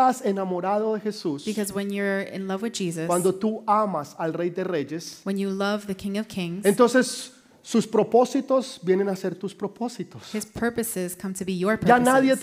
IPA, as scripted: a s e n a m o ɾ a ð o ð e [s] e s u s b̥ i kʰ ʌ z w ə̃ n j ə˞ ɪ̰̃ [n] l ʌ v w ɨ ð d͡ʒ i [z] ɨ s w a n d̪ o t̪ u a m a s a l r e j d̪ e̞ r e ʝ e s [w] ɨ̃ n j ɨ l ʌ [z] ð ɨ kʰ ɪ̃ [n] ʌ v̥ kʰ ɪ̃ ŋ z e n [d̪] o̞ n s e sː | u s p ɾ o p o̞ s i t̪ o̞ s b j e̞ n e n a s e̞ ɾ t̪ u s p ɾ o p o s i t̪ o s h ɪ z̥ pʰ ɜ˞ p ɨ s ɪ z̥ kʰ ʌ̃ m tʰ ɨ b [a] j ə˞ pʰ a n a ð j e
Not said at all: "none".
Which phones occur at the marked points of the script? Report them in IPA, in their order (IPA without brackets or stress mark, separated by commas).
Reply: x, n, z, w, v, ŋ, t̪, i